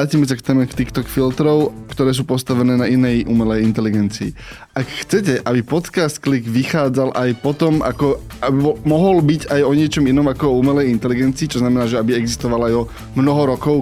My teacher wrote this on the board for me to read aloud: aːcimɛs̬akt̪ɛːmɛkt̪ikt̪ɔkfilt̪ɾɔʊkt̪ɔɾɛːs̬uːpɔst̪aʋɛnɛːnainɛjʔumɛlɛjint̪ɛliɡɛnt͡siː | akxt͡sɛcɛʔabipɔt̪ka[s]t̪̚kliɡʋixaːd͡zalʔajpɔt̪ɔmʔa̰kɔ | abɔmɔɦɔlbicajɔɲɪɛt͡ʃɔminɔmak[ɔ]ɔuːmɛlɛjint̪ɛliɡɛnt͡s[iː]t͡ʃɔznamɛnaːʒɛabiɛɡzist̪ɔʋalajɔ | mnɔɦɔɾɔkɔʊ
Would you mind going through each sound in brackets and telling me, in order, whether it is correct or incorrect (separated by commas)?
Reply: correct, correct, correct